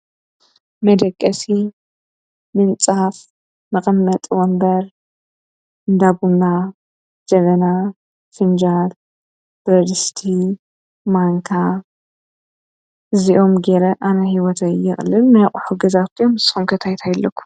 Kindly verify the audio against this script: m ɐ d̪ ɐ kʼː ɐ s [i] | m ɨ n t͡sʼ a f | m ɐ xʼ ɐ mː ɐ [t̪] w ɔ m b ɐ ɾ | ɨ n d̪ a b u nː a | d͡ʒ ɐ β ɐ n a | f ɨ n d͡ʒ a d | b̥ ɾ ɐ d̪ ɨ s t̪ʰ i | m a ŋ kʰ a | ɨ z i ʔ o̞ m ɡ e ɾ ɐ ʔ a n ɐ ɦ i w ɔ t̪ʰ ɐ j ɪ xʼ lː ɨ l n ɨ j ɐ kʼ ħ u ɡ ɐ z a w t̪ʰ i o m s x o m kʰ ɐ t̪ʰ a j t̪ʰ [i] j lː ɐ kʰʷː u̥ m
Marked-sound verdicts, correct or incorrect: correct, incorrect, incorrect

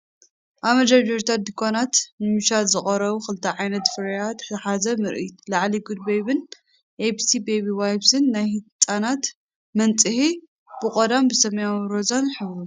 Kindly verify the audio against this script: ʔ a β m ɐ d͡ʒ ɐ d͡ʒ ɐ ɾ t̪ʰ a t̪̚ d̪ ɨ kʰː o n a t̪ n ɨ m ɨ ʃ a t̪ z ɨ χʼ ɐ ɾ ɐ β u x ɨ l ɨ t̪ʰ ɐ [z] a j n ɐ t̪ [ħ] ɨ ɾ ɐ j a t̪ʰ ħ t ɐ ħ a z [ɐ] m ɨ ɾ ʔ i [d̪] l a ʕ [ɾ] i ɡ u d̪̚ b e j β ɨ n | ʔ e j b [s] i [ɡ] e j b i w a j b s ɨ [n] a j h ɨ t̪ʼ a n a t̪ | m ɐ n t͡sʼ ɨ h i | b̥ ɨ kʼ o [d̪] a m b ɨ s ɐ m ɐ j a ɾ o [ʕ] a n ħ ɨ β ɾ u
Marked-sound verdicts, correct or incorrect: incorrect, incorrect, correct, incorrect, incorrect, correct, incorrect, incorrect, correct, incorrect

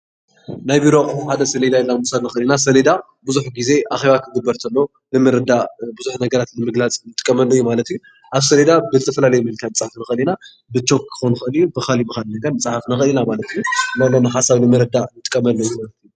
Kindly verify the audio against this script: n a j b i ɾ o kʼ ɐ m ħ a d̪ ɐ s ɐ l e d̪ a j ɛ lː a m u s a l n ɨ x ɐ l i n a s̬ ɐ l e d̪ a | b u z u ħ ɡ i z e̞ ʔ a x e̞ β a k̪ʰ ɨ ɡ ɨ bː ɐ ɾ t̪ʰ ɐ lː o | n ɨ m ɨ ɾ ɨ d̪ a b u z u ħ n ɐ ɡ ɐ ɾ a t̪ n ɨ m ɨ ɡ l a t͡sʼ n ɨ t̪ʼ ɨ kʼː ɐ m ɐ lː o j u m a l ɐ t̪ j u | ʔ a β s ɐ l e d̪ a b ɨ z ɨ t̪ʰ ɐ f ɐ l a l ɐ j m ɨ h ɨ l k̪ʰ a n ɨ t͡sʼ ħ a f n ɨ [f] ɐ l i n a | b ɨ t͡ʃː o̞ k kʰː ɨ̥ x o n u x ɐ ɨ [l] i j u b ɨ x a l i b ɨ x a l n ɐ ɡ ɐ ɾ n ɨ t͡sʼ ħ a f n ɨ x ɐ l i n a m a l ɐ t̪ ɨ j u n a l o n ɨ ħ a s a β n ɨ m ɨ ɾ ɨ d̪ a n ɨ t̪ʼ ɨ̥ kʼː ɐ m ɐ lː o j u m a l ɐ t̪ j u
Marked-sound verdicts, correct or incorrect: incorrect, correct

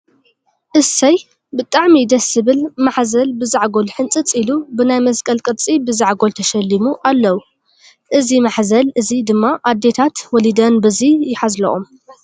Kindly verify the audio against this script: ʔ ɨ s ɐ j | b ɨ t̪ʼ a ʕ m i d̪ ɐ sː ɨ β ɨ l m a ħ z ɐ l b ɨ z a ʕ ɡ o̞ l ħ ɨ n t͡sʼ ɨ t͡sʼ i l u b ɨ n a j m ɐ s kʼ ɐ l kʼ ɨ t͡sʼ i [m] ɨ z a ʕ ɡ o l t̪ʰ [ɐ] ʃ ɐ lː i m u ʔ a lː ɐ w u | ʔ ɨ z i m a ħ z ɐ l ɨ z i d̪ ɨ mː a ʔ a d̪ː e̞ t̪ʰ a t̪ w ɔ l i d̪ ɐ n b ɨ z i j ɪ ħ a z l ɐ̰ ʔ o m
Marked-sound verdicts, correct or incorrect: incorrect, correct

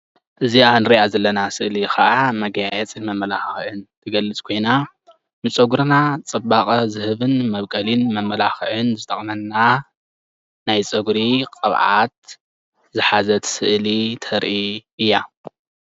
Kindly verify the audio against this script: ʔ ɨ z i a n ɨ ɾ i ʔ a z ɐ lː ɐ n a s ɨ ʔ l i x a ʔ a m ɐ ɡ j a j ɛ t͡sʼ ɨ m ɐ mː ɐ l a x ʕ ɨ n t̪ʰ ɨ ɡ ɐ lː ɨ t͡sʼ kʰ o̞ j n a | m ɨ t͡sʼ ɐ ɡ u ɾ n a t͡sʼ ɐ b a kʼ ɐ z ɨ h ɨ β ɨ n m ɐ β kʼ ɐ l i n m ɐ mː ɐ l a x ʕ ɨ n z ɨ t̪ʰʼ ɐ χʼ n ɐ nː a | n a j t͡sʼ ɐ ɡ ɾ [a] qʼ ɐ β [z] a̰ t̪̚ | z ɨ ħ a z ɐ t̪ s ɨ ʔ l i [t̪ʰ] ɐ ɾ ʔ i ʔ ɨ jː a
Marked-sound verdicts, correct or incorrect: incorrect, incorrect, correct

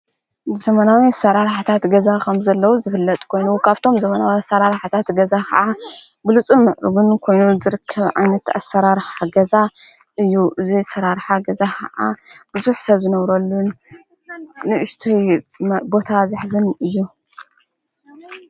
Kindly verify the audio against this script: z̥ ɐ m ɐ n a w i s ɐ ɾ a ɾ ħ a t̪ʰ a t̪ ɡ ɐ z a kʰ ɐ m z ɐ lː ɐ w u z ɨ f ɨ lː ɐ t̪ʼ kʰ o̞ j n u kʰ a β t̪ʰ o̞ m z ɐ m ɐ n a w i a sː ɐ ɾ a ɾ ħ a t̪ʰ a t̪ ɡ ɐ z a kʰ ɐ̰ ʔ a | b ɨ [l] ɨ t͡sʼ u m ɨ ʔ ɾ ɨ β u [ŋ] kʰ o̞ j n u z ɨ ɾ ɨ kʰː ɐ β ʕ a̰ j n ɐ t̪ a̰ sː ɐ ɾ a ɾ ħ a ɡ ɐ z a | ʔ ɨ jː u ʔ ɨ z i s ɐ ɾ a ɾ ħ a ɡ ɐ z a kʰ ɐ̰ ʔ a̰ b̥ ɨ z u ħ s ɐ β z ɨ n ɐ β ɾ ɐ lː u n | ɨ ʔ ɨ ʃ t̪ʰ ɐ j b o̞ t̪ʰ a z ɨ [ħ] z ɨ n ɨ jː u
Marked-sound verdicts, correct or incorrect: correct, incorrect, correct

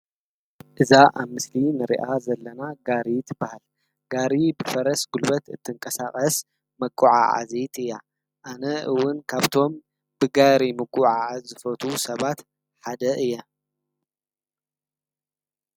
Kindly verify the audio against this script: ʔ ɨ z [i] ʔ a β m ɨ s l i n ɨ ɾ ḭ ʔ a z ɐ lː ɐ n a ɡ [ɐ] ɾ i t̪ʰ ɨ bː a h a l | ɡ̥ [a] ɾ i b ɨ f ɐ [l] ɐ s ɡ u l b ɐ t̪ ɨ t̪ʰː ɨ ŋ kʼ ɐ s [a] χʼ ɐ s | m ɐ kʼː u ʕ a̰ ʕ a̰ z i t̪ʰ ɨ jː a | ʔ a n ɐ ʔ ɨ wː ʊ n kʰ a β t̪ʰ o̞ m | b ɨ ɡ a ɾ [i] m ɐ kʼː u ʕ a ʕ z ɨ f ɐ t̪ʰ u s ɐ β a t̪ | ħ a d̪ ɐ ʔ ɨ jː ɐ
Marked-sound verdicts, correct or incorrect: incorrect, incorrect, correct, incorrect, correct, correct

